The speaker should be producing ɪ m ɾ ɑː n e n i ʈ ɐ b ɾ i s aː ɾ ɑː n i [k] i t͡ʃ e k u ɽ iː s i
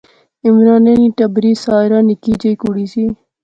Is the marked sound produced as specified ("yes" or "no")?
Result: yes